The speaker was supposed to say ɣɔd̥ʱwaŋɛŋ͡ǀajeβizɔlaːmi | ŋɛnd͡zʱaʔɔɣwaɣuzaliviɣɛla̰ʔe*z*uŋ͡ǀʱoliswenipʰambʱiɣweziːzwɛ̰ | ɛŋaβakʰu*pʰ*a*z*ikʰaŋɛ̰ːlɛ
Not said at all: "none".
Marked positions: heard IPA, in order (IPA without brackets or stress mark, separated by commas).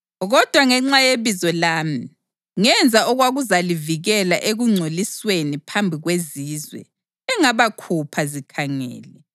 ɣ, pʰ, z